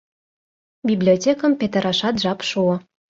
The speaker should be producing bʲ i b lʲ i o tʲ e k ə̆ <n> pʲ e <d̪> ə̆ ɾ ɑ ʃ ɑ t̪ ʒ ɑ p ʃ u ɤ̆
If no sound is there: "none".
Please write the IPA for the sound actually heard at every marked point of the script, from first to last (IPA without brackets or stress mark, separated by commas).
m, t̪